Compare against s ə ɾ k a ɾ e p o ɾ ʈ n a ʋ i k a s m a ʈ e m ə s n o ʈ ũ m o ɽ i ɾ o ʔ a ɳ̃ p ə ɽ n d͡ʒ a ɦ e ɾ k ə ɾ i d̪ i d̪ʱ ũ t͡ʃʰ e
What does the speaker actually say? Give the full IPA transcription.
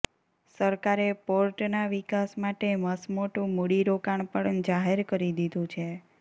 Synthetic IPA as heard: s ə ɾ k a ɾ e p o ɾ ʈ n a ʋ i k a s m a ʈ e m ə s m o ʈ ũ m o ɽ i ɾ o k a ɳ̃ p ə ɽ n d͡ʒ a ɦ e ɾ k ə ɾ i d̪ i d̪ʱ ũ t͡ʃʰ e